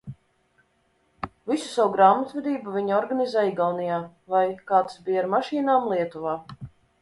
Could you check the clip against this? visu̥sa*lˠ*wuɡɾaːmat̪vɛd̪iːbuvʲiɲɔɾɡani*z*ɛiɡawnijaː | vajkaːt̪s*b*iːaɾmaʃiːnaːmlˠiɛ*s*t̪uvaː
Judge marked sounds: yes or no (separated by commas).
no, yes, yes, no